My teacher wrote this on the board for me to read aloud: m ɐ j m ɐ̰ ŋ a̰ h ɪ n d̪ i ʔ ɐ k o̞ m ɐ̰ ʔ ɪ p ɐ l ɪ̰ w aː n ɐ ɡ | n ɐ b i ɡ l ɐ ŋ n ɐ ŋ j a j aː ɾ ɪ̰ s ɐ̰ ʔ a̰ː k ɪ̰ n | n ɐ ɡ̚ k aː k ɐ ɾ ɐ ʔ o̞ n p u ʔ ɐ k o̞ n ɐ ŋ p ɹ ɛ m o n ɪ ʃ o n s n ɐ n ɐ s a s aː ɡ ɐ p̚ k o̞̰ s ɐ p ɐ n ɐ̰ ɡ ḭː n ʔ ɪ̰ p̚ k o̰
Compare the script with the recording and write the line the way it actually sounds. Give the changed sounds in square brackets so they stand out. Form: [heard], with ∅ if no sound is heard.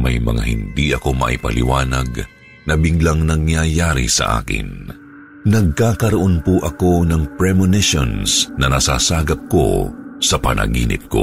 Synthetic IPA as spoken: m ɐ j m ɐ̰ ŋ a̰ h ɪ n d̪ i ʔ ɐ k o̞ m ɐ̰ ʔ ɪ p ɐ l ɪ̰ w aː n ɐ ɡ | n ɐ b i ɡ l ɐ ŋ n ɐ ŋ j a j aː ɾ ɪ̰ s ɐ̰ ʔ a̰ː k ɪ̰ n | n ɐ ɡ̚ k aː k ɐ ɾ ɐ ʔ o̞ n p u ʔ ɐ k o̞ n ɐ ŋ p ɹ ɛ m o n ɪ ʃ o n s n ɐ n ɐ s a s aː ɡ ɐ p̚ k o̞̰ s ɐ p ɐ n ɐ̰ ɡ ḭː n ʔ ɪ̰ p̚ k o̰